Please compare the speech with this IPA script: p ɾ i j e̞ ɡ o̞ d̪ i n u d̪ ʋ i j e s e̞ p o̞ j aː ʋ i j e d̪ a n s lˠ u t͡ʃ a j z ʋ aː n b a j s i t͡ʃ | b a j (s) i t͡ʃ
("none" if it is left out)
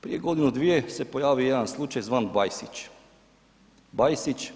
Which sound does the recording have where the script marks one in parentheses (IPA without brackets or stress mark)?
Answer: s